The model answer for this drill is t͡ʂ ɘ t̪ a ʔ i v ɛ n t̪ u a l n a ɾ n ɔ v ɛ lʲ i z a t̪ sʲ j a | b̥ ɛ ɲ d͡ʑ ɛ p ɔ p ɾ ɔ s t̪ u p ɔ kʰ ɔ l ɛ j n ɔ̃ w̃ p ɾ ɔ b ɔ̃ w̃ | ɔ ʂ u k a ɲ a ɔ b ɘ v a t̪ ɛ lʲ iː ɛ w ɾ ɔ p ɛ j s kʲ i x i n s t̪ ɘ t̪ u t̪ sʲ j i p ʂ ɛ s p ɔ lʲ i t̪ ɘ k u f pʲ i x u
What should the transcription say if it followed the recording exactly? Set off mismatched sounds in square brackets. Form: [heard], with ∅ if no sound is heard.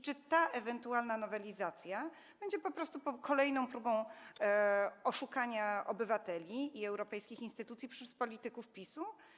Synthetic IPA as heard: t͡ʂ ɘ t̪ a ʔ [ɛ] v ɛ n t̪ u a l n a [∅] n ɔ v ɛ lʲ i z a t̪ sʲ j a | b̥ ɛ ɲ d͡ʑ ɛ p ɔ p ɾ ɔ s t̪ u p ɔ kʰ ɔ l ɛ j n ɔ̃ w̃ p ɾ [u] b ɔ̃ w̃ | ɔ ʂ u k a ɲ a ɔ b ɘ v a t̪ ɛ lʲ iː ɛ w ɾ ɔ p ɛ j s kʲ i x i n s t̪ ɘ t̪ u t̪ sʲ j i p ʂ ɛ s p ɔ lʲ i t̪ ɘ k u f pʲ i [s] u